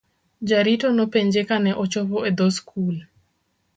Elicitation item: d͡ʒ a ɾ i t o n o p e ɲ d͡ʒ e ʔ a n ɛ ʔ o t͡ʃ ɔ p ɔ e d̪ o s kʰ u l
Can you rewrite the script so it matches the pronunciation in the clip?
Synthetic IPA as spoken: d͡ʒ a ɾ i t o n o p e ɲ d͡ʒ e k a n ɛ ʔ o t͡ʃ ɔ p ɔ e d̪ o s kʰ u l